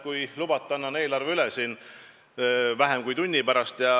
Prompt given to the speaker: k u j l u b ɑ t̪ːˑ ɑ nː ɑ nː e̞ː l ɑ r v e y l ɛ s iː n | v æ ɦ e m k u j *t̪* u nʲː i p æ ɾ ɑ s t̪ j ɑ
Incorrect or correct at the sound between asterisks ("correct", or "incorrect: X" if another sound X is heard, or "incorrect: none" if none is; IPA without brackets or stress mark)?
correct